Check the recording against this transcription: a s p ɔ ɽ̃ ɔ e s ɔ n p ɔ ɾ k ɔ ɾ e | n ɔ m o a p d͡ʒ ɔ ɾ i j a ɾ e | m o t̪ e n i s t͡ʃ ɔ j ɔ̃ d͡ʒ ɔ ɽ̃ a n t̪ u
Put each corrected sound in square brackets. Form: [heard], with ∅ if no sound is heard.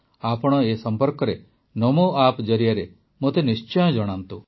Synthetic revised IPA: a [∅] p ɔ ɽ̃ ɔ e s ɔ [m] p ɔ ɾ k ɔ ɾ e | n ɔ m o a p d͡ʒ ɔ ɾ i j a ɾ e | m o t̪ e n i s t͡ʃ ɔ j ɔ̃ d͡ʒ ɔ ɽ̃ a n t̪ u

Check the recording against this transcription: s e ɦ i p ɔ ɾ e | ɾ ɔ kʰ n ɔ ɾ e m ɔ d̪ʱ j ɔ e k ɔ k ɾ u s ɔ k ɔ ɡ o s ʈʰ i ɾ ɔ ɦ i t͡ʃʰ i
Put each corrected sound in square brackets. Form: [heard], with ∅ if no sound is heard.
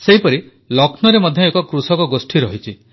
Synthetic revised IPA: s e ɦ i p ɔ ɾ [i] | [l] ɔ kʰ n ɔ ɾ e m ɔ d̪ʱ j ɔ e k ɔ k ɾ u s ɔ k ɔ ɡ o s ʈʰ i ɾ ɔ ɦ i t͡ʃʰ i

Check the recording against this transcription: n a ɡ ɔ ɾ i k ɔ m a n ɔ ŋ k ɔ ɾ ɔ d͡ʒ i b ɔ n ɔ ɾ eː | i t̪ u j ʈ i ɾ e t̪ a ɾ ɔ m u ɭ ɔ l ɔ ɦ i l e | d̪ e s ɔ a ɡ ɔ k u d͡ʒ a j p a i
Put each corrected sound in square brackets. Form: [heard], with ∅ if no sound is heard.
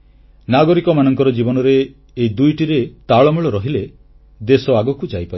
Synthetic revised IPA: n a ɡ ɔ ɾ i k ɔ m a n ɔ ŋ k ɔ ɾ ɔ d͡ʒ i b ɔ n ɔ ɾ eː | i [d̪] u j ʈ i ɾ e t̪ a [ɭ] ɔ m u ɭ ɔ [ɾ] ɔ ɦ i l e | d̪ e s ɔ a ɡ ɔ k u d͡ʒ a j p a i

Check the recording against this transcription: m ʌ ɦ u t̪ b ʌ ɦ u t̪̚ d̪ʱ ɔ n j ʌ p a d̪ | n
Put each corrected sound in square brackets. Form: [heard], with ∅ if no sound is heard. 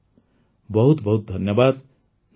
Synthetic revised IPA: [b] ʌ ɦ u t̪ b ʌ ɦ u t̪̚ d̪ʱ [ʌ] n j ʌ [b] a d̪ | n

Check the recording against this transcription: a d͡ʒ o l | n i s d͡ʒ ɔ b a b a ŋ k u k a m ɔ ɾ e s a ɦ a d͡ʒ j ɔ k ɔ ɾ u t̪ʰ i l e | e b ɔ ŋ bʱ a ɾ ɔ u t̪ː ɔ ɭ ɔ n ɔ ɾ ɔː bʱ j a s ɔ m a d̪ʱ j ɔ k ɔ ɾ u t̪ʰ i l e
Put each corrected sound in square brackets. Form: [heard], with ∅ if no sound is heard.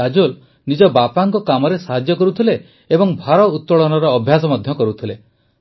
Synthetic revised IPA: a d͡ʒ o l | n i [∅] d͡ʒ ɔ b a [p] a ŋ k [ɔ] k a m ɔ ɾ e s a ɦ a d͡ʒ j ɔ k ɔ ɾ u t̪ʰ i l e | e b ɔ ŋ bʱ a ɾ ɔ u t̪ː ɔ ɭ ɔ n ɔ ɾ ɔː bʱ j a s ɔ m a d̪ʱ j ɔ k ɔ ɾ u t̪ʰ i l e

